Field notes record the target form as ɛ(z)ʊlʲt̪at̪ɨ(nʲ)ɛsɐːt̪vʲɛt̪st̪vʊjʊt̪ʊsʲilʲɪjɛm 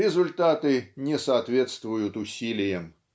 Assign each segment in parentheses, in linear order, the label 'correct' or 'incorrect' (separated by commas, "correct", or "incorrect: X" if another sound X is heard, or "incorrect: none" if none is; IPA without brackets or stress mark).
correct, correct